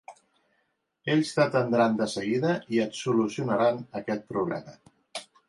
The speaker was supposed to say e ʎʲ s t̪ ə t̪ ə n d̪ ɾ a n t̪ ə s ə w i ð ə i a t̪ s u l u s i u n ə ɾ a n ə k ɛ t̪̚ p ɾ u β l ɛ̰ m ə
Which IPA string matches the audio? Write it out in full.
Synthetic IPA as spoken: e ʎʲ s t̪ ə t̪ ə n d̪ ɾ a n d̪ ə s ə ɣ i ð ə i ə t̪ s u l u s i u n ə ɾ a n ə k ɛ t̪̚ p ɾ u β l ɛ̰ m ə